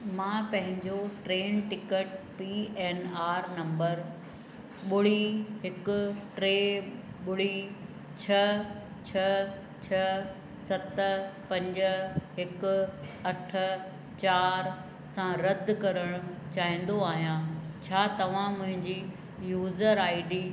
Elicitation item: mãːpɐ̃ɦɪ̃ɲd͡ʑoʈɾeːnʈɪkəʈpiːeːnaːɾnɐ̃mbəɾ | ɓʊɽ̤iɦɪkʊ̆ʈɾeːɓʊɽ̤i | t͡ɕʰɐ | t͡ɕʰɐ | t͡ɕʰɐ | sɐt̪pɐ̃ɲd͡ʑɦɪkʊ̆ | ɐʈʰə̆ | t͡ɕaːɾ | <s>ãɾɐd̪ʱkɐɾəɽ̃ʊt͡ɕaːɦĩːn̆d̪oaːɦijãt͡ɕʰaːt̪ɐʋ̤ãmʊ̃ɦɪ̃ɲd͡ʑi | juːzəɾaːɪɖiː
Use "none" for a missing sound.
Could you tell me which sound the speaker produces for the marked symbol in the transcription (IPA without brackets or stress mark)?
s